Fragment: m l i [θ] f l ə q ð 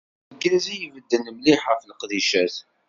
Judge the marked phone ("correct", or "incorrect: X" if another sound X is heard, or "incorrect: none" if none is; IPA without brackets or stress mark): incorrect: ħ